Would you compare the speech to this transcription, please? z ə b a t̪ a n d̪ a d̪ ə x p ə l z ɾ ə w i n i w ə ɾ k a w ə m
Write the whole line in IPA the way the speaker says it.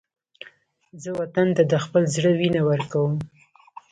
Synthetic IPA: z ə w a t̪ a n t̪ a d̪ ə x p ə l z ɽ ə w i n a w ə ɾ k a w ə m